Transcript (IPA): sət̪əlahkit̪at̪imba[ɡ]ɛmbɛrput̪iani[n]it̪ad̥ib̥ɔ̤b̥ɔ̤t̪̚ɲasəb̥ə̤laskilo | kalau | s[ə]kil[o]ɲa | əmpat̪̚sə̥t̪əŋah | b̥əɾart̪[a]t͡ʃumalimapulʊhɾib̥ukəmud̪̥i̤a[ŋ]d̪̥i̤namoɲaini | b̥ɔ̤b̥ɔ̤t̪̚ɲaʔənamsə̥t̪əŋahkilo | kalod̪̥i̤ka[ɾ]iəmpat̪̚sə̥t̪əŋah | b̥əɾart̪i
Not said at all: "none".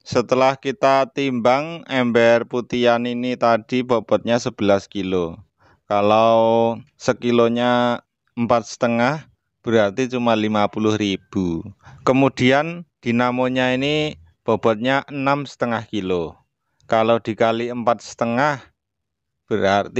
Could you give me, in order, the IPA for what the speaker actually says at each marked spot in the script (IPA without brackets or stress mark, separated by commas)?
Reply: ŋ, n, ə, o, i, n, l